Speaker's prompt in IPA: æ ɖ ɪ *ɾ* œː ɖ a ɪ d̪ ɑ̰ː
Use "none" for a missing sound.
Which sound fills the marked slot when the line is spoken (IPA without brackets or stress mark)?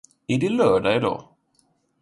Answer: l